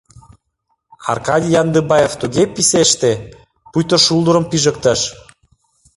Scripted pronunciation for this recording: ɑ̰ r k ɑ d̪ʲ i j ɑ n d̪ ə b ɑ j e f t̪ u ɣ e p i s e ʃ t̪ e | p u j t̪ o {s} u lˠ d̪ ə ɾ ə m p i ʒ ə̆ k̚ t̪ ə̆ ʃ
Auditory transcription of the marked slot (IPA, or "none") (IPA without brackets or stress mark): ʃ